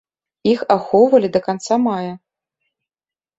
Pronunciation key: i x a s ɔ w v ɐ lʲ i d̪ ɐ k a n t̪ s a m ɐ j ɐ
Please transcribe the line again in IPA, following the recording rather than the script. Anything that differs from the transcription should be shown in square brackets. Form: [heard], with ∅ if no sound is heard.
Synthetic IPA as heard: i x a [x] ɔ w v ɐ lʲ i d̪ ɐ k a n t̪ s a m [a] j ɐ

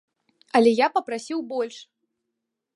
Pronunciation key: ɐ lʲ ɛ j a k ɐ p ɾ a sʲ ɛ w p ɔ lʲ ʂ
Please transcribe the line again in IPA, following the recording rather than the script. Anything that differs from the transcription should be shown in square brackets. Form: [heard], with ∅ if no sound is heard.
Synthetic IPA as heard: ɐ lʲ ɛ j a [p] ɐ p ɾ a sʲ [i] w [b] ɔ lʲ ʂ

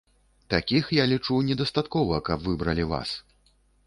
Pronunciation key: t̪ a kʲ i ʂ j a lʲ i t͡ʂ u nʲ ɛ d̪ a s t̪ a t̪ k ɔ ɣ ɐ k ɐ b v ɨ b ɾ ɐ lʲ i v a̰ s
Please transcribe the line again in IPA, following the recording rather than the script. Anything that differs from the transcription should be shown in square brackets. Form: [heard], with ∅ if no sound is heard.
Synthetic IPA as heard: t̪ a kʲ i [x] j a lʲ i t͡ʂ u nʲ ɛ d̪ [ɐ] s t̪ a t̪ k ɔ [v] ɐ k ɐ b v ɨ b ɾ ɐ lʲ i v a̰ s

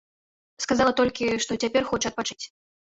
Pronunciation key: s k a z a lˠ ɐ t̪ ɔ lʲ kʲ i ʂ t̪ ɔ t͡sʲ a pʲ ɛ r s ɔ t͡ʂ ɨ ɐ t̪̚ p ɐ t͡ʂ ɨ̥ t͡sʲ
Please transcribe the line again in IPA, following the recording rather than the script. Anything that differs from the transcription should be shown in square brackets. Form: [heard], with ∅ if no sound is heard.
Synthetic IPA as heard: s k a z a lˠ ɐ t̪ ɔ lʲ kʲ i ʂ t̪ ɔ t͡sʲ a pʲ ɛ r [x] ɔ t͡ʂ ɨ ɐ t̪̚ p [a] t͡ʂ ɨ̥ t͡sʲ

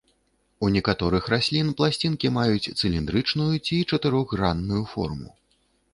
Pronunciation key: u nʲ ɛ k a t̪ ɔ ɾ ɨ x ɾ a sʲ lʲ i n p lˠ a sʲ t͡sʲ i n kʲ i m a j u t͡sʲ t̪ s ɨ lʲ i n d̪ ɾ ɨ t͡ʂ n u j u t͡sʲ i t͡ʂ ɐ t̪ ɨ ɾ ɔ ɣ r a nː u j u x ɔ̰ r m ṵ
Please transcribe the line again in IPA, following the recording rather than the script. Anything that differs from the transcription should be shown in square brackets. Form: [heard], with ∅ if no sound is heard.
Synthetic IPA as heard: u nʲ ɛ k a t̪ ɔ ɾ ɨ x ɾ a sʲ lʲ i n p lˠ a sʲ t͡sʲ i n kʲ i m a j u t͡sʲ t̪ s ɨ lʲ i n d̪ ɾ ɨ t͡ʂ n u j u t͡sʲ i t͡ʂ ɐ t̪ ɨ ɾ ɔ ɣ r a nː u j u [f] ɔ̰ r m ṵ

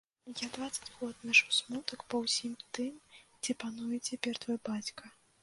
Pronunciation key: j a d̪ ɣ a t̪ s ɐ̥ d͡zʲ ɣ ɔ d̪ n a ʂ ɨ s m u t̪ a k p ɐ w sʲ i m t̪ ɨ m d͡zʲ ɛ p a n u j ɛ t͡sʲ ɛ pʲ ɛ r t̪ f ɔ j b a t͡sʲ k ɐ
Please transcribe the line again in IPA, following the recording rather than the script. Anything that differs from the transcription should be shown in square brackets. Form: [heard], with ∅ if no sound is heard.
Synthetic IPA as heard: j a d̪ [v] a t̪ s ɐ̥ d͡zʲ ɣ ɔ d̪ n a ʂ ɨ s m u t̪ [ɐ] k p ɐ w sʲ i m t̪ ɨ m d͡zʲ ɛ p a n u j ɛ t͡sʲ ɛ pʲ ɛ r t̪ [v] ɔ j b a t͡sʲ k ɐ

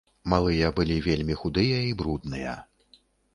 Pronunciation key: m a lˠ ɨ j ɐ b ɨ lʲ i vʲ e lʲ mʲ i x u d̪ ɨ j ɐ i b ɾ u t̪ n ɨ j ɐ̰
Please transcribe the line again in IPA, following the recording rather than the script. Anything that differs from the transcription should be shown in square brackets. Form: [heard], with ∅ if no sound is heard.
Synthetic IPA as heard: m a lˠ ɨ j ɐ b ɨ lʲ i vʲ e lʲ mʲ i x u d̪ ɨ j ɐ i b ɾ u [d̪] n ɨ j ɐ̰

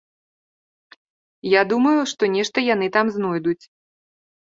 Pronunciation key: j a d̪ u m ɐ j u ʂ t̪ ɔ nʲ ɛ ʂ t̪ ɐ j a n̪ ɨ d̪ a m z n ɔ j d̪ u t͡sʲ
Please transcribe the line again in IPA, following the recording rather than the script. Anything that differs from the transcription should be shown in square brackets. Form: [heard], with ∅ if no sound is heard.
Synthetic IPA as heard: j a d̪ u m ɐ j u ʂ t̪ ɔ nʲ ɛ ʂ t̪ ɐ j a n̪ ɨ [t̪] a m z n ɔ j d̪ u t͡sʲ

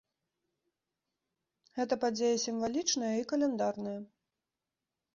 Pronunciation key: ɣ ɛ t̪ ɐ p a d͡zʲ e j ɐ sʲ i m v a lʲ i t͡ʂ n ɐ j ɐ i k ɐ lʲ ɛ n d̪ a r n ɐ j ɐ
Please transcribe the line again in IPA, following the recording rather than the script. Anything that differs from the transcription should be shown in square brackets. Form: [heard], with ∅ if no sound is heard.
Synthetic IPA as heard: ɣ ɛ t̪ ɐ p a d͡zʲ e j ɐ sʲ i m v a lʲ i t͡ʂ n ɐ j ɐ i k ɐ lʲ ɛ n d̪ a r n ɐ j ɐ

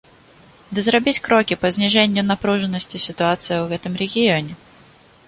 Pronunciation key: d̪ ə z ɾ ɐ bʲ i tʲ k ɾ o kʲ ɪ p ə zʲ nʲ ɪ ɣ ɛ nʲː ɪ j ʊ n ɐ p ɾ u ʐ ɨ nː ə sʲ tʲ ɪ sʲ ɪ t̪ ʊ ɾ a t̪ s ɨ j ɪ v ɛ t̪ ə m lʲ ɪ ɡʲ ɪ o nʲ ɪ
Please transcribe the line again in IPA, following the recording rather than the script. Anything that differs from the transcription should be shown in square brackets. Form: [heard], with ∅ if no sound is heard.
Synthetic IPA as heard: d̪ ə z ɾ ɐ bʲ i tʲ k ɾ o kʲ ɪ p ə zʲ nʲ ɪ [ʐ] ɛ [nʲ] ɪ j ʊ n ɐ p ɾ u ʐ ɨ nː ə sʲ tʲ ɪ sʲ ɪ t̪ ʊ [∅] a t̪ s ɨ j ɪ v ɛ t̪ ə m [ɾʲ] ɪ ɡʲ ɪ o nʲ ɪ

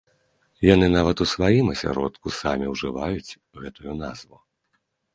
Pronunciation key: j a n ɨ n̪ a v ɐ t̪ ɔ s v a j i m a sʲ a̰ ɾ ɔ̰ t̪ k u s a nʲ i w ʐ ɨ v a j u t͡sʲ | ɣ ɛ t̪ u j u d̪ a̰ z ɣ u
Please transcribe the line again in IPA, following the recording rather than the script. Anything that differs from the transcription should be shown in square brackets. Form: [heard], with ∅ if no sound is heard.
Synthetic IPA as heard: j a n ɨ n̪ a v ɐ t̪ [u] s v a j i m [ɐ] sʲ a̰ ɾ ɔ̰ t̪ k u s a [mʲ] i w ʐ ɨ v a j u t͡sʲ | ɣ ɛ t̪ u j u [n̪] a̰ z [v] u

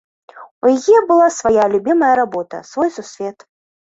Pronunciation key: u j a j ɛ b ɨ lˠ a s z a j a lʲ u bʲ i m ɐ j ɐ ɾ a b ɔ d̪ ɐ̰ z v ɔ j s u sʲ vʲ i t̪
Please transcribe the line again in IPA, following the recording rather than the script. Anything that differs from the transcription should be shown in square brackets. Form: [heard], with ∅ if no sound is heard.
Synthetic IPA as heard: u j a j ɛ b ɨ lˠ a s [v] a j a lʲ u bʲ i m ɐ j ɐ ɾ a b ɔ [t̪] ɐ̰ [s] v ɔ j s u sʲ vʲ [ɛ] t̪

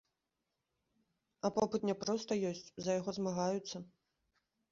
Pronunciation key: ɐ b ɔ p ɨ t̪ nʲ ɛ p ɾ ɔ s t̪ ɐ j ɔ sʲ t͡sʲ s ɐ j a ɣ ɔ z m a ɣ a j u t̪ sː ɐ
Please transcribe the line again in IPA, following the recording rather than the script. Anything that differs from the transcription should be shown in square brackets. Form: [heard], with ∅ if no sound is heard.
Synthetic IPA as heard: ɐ [p] ɔ p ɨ t̪ nʲ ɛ p ɾ ɔ s t̪ ɐ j ɔ sʲ t͡sʲ [z] ɐ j a ɣ ɔ z m a ɣ a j u t̪ sː ɐ

